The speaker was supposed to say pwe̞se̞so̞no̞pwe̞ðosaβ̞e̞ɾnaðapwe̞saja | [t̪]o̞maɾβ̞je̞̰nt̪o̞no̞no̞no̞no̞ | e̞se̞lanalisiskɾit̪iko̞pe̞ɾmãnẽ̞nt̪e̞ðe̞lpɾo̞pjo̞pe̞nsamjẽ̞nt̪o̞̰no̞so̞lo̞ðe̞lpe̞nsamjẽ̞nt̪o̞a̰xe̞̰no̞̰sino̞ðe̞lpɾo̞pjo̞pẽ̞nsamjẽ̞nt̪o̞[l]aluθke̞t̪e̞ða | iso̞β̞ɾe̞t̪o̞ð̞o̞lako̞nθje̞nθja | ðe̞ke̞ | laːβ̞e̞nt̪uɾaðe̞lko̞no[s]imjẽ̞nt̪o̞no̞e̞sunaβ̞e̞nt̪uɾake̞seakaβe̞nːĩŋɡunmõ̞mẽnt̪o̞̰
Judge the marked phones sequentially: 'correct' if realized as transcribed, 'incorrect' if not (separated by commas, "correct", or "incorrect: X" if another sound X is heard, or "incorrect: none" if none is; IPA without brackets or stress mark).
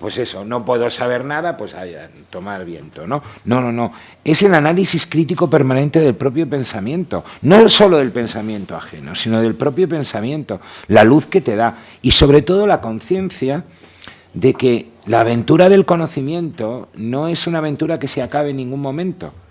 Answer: correct, correct, incorrect: θ